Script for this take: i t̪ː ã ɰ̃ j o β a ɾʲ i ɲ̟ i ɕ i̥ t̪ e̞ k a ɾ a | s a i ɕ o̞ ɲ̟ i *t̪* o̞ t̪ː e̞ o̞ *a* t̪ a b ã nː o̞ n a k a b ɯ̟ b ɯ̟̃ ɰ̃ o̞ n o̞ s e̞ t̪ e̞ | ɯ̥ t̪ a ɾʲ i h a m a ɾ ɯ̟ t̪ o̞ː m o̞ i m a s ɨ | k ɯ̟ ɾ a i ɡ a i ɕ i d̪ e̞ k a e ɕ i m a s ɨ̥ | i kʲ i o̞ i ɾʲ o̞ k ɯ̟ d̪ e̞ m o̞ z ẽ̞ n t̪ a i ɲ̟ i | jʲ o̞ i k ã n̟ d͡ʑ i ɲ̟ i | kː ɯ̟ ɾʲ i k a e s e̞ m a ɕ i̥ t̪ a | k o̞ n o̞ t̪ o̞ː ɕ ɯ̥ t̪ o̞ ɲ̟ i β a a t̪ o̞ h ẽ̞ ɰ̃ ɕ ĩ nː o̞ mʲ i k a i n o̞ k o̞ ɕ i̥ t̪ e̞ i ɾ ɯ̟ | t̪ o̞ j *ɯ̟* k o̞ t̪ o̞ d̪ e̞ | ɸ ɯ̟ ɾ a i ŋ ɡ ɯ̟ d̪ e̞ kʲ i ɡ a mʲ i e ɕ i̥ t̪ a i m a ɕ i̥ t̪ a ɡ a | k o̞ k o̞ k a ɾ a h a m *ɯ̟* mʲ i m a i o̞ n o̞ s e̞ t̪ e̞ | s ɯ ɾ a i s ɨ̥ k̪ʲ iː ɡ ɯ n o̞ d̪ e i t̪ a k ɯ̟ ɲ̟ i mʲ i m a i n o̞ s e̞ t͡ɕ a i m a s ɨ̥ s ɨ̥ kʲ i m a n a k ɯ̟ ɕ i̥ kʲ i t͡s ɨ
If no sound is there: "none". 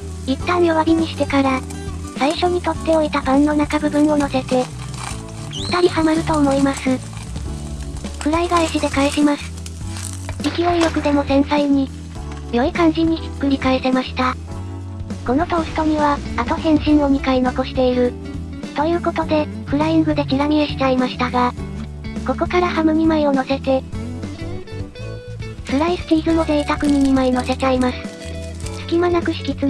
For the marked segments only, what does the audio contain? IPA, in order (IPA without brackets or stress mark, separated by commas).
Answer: t̪, i, ɯ̟ː, ɯ̟